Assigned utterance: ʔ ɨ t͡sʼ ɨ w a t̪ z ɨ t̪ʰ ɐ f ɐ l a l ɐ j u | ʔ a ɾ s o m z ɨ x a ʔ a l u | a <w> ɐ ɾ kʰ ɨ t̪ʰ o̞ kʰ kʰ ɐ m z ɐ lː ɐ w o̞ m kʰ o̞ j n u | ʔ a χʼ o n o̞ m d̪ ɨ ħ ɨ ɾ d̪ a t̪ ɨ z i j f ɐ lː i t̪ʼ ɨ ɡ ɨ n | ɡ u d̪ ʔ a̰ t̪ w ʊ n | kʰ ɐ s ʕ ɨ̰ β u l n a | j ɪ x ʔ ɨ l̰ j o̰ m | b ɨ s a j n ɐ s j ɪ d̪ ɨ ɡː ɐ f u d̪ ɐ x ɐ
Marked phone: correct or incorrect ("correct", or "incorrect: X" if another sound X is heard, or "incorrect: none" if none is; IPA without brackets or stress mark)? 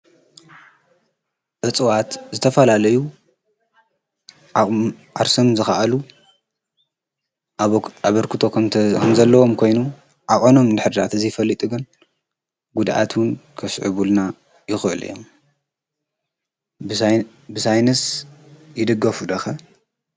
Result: incorrect: β